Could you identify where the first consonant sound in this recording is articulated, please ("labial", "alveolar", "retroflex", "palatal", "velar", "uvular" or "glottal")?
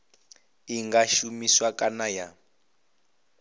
velar